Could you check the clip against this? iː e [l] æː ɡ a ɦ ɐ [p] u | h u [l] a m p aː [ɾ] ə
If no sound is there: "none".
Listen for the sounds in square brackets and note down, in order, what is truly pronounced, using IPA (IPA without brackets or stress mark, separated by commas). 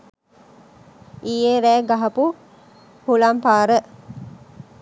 ɾ, p, l, ɾ